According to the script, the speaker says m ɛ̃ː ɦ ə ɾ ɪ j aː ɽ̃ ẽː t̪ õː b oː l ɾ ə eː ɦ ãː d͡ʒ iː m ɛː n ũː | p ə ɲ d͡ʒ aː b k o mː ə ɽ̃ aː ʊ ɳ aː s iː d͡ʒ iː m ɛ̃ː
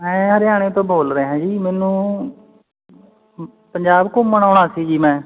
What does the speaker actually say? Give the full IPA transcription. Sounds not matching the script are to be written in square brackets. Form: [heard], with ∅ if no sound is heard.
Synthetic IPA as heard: m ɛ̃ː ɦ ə ɾ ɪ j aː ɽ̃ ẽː t̪ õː b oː l ɾ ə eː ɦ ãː d͡ʒ iː m ɛː n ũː | p ə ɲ d͡ʒ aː b k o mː ə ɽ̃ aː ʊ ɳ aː s iː d͡ʒ iː m ɛ̃ː